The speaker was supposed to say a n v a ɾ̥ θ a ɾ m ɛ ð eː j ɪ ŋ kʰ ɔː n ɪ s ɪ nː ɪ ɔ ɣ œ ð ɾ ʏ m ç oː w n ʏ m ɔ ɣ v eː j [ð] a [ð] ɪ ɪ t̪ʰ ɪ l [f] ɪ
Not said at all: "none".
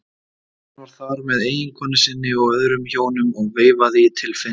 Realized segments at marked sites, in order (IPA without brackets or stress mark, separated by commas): v, ð, f